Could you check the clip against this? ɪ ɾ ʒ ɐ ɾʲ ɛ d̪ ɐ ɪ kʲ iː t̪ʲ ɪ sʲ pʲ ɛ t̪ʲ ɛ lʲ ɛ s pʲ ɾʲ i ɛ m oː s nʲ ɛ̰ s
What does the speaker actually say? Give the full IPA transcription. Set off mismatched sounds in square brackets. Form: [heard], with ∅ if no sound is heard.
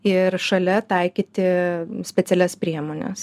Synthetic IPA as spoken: ɪ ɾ [ʃ] ɐ [lʲ] ɛ [t̪] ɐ ɪ kʲ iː t̪ʲ ɪ sʲ pʲ ɛ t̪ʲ ɛ lʲ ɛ s pʲ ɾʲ i ɛ m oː [∅] nʲ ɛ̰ s

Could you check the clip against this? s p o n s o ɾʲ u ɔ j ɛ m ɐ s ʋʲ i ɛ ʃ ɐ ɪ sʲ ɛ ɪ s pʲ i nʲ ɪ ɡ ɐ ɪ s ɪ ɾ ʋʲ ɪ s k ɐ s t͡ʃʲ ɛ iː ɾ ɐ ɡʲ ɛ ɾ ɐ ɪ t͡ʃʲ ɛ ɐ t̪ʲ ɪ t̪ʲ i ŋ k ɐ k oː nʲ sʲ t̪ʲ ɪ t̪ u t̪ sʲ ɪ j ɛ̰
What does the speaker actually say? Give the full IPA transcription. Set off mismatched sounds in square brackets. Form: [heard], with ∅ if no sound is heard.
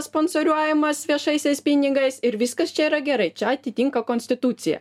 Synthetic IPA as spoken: s p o n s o ɾʲ u ɔ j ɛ m ɐ s ʋʲ i ɛ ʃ ɐ ɪ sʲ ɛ ɪ s pʲ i nʲ ɪ ɡ ɐ ɪ s ɪ ɾ ʋʲ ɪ s k ɐ s t͡ʃʲ ɛ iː ɾ ɐ ɡʲ ɛ ɾ ɐ ɪ t͡ʃʲ ɛ ɐ t̪ʲ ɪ t̪ʲ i ŋ k ɐ k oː nʲ sʲ t̪ʲ ɪ t̪ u t̪ sʲ ɪ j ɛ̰

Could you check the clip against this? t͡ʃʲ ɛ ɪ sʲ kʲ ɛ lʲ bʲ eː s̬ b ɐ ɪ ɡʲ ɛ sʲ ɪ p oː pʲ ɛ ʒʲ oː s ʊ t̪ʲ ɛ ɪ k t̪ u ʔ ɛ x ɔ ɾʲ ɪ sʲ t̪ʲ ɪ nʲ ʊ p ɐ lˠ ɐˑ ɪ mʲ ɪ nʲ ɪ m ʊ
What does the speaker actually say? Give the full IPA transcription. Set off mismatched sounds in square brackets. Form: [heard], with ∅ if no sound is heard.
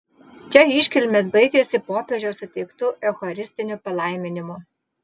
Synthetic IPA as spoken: t͡ʃʲ ɛ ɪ [ʃʲ] kʲ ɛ lʲ [mʲ] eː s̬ b ɐ ɪ ɡʲ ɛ sʲ ɪ p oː pʲ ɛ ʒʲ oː s ʊ t̪ʲ ɛ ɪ k t̪ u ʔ ɛ x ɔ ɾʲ ɪ sʲ t̪ʲ ɪ nʲ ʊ p ɐ lˠ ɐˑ ɪ mʲ ɪ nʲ ɪ m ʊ

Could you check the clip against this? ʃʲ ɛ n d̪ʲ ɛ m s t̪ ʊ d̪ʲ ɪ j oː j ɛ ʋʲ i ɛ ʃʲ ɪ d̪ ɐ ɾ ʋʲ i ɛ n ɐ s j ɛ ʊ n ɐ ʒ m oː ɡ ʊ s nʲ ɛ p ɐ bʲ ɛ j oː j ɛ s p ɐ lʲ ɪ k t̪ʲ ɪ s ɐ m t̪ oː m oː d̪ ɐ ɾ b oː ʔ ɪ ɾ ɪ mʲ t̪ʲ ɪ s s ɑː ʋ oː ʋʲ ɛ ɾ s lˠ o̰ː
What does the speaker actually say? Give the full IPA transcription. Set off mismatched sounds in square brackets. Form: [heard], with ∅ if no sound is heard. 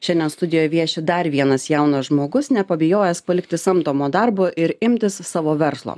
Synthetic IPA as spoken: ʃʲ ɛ n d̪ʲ ɛ [n] s t̪ ʊ d̪ʲ ɪ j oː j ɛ ʋʲ i ɛ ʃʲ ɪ d̪ ɐ ɾ ʋʲ i ɛ n ɐ s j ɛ ʊ n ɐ ʒ m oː ɡ ʊ s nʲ ɛ p ɐ bʲ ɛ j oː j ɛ s p ɐ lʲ ɪ k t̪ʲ ɪ s ɐ m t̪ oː m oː d̪ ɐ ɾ b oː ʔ ɪ ɾ ɪ mʲ t̪ʲ ɪ s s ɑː ʋ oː ʋʲ ɛ ɾ s lˠ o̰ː

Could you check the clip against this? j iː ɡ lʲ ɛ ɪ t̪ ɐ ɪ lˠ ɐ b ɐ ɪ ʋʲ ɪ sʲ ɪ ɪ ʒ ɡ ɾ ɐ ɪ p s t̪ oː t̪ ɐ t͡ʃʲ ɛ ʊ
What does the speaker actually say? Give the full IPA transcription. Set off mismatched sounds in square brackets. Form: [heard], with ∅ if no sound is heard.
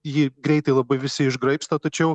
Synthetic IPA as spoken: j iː ɡ [ɾʲ] ɛ ɪ t̪ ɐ ɪ lˠ ɐ b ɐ ɪ ʋʲ ɪ sʲ ɪ ɪ ʒ ɡ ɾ ɐ ɪ p s t̪ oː t̪ ɐ t͡ʃʲ ɛ ʊ

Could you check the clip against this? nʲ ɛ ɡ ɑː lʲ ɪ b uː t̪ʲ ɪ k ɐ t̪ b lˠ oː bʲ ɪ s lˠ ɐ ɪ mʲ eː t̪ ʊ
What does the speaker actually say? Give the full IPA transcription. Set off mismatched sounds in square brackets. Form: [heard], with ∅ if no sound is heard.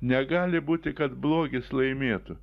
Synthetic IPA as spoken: nʲ ɛ ɡ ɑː lʲ ɪ b uː t̪ʲ ɪ k ɐ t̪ b lˠ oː [ɡʲ] ɪ s lˠ ɐ ɪ mʲ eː t̪ ʊ

